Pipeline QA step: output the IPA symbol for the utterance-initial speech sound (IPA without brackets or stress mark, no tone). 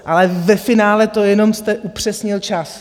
ʔ